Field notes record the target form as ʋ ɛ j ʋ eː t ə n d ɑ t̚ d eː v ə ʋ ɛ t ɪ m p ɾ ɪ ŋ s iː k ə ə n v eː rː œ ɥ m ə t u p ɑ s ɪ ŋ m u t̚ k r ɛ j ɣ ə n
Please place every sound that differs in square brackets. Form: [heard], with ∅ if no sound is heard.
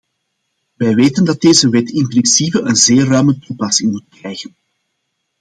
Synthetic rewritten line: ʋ ɛ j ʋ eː t ə n d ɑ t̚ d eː [z] ə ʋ ɛ t ɪ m p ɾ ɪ [n] s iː [p] ə ə n [z] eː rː œ ɥ m ə t u p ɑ s ɪ ŋ m u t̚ k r ɛ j ɣ ə n